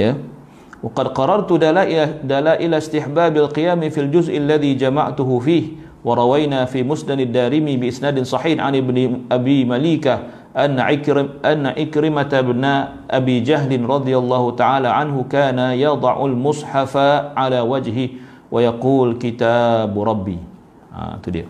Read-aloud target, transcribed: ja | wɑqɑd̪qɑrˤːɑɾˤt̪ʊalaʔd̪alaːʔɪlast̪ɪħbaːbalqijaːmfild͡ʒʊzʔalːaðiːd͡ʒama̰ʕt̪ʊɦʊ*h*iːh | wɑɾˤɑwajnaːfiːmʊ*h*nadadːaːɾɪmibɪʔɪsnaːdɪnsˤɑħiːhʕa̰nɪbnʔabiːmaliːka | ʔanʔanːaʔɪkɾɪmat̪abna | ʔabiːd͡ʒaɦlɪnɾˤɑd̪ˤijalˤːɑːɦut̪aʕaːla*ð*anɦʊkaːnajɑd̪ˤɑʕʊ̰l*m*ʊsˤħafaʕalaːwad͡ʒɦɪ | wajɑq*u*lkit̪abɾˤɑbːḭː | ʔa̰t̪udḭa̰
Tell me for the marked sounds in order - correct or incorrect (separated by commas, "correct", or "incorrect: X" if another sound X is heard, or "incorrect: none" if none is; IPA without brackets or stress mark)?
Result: incorrect: f, incorrect: s, incorrect: ʕ, correct, incorrect: uː